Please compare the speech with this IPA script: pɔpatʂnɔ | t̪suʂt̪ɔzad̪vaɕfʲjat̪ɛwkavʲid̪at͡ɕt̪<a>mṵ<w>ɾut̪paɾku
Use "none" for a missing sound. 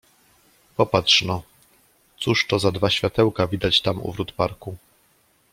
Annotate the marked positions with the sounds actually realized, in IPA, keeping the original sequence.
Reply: a, v

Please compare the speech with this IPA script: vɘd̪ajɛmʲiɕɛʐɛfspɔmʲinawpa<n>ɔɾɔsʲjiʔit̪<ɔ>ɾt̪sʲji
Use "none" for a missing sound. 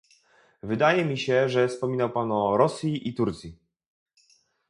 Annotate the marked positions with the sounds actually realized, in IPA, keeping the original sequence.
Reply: n, u

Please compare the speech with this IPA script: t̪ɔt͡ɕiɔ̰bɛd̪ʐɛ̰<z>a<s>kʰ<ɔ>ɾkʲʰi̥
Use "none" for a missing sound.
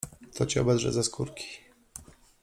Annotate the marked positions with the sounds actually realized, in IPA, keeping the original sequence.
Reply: z, s, u

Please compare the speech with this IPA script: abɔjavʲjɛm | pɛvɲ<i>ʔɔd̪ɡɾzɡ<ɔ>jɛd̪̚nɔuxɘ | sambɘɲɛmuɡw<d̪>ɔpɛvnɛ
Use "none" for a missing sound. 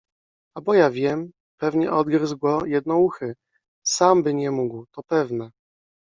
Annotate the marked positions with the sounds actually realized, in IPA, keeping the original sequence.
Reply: ɛ, ɔ, t̪

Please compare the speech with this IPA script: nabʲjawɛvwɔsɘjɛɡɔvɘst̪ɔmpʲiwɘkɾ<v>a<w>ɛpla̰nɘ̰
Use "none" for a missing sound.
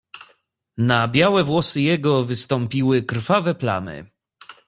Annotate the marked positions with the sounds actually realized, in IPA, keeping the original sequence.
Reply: f, v

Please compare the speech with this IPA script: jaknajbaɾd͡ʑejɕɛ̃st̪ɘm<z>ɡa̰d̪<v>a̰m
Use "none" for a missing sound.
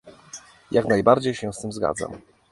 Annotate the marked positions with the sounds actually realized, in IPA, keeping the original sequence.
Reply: z, z

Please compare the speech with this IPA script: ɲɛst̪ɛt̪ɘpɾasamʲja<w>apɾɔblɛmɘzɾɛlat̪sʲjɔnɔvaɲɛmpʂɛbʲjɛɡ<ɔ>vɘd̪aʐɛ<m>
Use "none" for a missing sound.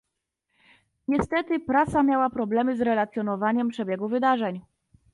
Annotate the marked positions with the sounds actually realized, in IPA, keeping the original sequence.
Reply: w, u, ɲ

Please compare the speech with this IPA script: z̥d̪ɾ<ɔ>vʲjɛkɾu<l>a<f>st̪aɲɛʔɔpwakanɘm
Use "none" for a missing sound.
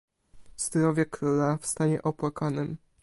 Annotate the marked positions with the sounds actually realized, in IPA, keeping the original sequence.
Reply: ɔ, l, f

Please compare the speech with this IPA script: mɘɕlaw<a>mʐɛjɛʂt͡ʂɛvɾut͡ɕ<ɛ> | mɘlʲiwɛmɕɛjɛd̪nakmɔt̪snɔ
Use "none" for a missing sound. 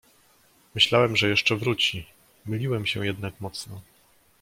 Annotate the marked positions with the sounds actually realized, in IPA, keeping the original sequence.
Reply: ɛ, i

